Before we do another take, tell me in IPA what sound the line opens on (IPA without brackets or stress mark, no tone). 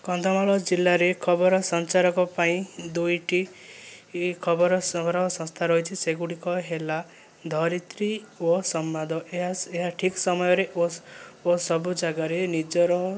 k